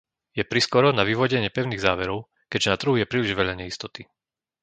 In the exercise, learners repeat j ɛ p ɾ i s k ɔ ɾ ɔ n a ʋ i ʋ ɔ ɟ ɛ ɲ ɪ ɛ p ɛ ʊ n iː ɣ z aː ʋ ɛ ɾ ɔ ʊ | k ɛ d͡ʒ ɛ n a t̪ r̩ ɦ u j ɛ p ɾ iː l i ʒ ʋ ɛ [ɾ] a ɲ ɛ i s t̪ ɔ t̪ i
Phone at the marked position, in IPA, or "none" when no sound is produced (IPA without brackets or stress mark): ʎ